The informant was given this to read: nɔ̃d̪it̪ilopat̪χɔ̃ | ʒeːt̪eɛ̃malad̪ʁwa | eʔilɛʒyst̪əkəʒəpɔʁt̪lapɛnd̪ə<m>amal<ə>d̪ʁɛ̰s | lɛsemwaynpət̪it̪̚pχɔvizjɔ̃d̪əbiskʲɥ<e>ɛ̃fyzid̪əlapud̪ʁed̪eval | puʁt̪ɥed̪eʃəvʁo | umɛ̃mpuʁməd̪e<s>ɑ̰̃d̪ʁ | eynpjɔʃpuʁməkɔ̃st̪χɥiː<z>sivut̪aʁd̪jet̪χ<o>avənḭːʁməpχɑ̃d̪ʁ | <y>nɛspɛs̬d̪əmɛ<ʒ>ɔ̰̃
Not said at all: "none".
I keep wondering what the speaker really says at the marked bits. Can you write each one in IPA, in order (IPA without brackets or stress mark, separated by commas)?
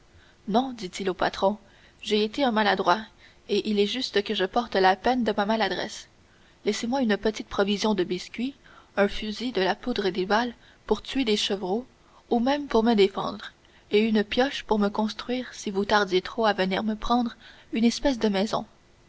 m, a, i, f, ʁ, o, y, z